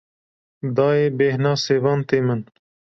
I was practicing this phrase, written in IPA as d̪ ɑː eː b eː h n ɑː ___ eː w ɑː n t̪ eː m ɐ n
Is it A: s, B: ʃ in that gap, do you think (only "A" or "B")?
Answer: A